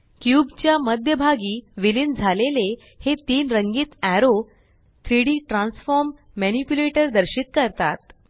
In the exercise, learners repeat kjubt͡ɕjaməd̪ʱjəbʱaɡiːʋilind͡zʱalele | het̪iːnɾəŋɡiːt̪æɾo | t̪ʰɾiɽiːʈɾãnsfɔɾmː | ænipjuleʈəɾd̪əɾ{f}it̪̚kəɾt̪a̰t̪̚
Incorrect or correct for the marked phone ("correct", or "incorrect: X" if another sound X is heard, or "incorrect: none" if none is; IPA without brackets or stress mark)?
incorrect: ɕ